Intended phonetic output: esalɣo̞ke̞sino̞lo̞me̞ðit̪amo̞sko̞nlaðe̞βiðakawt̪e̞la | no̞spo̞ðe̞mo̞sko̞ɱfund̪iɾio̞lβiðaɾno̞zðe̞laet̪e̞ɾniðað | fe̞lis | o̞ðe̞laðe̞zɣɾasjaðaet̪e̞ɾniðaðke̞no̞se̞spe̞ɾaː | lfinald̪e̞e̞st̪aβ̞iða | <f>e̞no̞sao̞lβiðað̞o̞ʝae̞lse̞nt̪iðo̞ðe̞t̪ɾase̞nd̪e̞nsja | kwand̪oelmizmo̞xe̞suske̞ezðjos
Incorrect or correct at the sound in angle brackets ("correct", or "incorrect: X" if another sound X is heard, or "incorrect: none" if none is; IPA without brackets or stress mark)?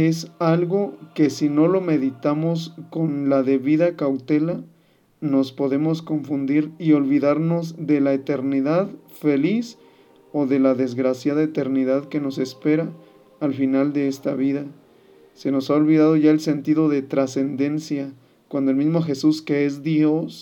incorrect: s